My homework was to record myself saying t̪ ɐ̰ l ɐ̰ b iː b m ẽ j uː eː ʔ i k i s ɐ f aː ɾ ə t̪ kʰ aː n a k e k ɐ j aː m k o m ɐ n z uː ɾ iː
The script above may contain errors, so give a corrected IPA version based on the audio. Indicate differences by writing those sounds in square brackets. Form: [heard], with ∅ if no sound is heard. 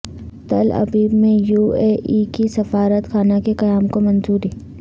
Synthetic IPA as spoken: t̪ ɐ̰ l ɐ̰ b iː b m ẽ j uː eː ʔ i k i s ɐ f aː ɾ ə t̪ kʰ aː n a k e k ɐ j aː m k o m ɐ n z uː ɾ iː